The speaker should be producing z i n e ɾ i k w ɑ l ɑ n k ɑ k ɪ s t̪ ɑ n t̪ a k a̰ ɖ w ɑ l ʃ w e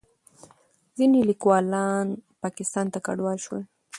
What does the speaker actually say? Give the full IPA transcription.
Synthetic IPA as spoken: z i n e l i k w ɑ l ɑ n p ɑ k ɪ s t̪ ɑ n t̪ a k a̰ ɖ w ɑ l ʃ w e